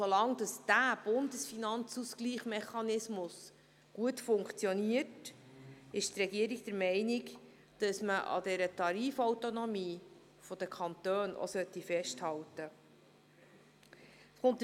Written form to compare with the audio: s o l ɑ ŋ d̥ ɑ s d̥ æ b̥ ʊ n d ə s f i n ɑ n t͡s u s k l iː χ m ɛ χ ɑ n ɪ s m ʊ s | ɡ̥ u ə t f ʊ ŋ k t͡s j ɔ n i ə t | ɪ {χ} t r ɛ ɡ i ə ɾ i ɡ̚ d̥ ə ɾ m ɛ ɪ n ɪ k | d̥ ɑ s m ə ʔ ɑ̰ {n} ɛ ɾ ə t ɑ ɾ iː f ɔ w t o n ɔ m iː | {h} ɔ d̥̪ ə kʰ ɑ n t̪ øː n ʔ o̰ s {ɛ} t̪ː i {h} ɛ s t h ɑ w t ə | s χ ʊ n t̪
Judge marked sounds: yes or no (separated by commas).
no, no, no, no, no